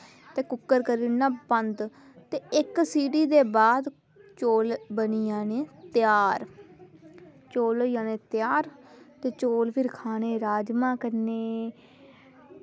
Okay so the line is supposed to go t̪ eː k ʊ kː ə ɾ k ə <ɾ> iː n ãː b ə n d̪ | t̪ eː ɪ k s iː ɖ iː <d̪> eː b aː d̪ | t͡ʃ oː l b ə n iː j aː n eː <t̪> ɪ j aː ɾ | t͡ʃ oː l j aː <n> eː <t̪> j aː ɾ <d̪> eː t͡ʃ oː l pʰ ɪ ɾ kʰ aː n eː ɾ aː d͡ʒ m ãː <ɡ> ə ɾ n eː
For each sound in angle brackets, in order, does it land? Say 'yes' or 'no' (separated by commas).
yes, yes, yes, yes, yes, no, no